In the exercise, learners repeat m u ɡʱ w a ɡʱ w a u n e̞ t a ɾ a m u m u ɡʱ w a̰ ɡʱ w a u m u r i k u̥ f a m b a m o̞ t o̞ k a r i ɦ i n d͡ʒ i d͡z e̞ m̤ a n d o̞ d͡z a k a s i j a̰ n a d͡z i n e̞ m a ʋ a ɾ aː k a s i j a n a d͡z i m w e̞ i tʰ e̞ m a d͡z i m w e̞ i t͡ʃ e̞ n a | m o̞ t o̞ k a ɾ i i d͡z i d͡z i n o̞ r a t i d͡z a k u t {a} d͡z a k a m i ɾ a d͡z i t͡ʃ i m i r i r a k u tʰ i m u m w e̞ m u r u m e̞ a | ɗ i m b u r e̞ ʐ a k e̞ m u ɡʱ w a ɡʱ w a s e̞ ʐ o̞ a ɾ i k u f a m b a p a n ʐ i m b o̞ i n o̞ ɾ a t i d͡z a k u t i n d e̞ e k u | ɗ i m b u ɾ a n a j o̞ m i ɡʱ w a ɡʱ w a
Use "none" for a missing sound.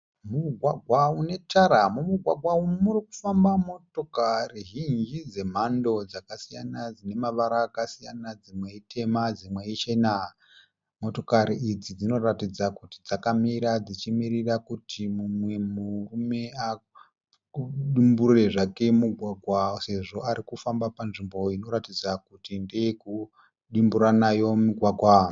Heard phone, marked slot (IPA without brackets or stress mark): i